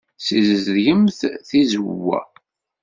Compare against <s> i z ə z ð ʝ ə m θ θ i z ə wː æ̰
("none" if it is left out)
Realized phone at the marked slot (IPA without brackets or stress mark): s